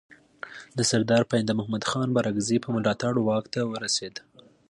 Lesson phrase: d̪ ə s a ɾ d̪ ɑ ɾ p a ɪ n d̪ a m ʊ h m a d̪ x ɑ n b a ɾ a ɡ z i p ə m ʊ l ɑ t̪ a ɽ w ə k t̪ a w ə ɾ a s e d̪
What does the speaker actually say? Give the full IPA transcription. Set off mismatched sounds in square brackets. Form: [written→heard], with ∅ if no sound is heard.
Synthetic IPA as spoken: d̪ ə s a ɾ d̪ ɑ ɾ p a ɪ n d̪ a m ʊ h m a d̪ x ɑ n b a ɾ a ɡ z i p ə m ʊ l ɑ t̪ a ɽ w [ə→ɑ] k t̪ a w ə ɾ a s e d̪